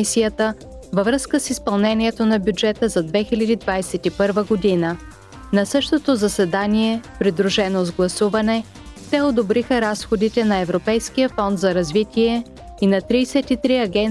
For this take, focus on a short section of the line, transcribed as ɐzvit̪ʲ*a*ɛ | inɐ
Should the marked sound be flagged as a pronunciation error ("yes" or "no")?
yes